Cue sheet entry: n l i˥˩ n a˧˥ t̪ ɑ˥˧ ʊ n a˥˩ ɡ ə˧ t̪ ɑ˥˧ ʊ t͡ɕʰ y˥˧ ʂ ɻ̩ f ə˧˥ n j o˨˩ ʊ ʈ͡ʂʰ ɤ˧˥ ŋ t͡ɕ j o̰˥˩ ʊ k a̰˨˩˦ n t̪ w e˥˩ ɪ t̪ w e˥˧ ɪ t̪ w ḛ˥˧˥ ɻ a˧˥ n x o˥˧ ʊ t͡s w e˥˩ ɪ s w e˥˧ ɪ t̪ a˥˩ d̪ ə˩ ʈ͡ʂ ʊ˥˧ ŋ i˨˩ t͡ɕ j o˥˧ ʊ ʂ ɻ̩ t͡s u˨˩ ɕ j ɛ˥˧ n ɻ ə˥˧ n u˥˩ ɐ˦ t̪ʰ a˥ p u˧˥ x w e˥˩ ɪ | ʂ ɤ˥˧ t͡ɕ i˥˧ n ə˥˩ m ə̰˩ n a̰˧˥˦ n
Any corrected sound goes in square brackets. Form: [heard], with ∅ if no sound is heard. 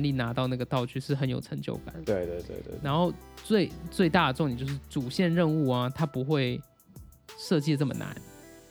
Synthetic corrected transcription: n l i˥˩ n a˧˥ t̪ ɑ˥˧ ʊ n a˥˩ ɡ [ə˩] t̪ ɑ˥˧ ʊ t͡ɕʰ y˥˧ ʂ ɻ̩ [x] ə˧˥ n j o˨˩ ʊ ʈ͡ʂʰ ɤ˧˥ ŋ t͡ɕ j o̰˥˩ ʊ k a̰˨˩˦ n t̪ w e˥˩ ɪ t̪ w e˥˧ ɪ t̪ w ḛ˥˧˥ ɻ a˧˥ n x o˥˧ ʊ t͡s w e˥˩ ɪ [t͡s] w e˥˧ ɪ t̪ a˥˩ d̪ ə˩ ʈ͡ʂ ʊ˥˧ ŋ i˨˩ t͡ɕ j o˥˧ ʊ ʂ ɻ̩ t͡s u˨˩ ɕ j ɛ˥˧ n ɻ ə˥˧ n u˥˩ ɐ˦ t̪ʰ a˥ p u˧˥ x w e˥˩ ɪ | ʂ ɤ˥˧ t͡ɕ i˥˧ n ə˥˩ m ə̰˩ n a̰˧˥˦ n